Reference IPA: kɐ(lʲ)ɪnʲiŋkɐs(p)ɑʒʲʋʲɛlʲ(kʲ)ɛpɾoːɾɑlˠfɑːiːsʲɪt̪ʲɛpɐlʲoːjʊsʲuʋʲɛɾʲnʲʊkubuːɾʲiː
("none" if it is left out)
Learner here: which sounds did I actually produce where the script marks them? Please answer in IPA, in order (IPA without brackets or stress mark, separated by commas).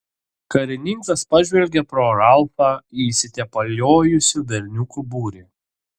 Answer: ɾʲ, p, ɡʲ